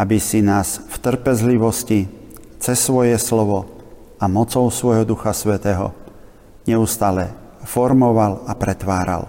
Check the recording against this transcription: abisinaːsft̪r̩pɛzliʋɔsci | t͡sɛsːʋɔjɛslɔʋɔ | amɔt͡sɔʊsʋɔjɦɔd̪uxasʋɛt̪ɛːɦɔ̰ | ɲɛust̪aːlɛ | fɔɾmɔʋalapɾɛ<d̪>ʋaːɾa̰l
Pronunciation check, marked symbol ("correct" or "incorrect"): incorrect